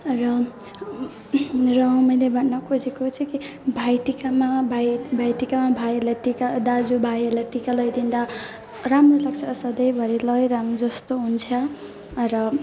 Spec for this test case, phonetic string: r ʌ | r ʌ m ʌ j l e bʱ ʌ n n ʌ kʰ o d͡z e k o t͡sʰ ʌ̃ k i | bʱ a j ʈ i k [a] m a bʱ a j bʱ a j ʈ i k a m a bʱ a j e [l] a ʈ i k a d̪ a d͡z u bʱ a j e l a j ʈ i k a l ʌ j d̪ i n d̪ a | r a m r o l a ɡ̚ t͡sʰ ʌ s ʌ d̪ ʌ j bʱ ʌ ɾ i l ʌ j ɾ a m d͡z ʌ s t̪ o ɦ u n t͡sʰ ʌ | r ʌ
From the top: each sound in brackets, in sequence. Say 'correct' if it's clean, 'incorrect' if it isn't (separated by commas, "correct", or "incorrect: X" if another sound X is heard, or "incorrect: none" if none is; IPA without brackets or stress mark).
correct, correct